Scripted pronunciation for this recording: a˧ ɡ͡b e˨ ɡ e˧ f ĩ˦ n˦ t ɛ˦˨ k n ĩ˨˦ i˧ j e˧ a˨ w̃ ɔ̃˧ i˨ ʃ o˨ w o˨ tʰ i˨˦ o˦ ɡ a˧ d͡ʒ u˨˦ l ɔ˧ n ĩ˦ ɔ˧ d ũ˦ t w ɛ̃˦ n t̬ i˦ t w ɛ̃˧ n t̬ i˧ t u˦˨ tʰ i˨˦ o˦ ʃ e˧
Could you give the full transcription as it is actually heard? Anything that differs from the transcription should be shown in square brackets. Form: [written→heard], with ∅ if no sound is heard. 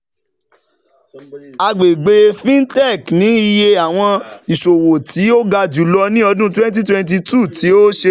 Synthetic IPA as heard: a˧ ɡ͡b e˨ [ɡ→ɡ͡b] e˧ f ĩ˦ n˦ t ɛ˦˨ k n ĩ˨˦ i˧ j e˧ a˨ w̃ ɔ̃˧ i˨ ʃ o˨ w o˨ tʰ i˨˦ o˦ ɡ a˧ d͡ʒ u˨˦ l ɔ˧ n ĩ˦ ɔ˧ d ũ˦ t w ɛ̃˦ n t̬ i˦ t w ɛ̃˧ n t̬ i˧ t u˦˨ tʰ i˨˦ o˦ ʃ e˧